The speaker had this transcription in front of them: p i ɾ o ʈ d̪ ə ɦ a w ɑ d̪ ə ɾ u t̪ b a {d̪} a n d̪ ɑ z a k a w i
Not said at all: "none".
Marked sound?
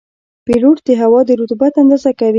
t̪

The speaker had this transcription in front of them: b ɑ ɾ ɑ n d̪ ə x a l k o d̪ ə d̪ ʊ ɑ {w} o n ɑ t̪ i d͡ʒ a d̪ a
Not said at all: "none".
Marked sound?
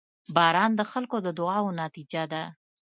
w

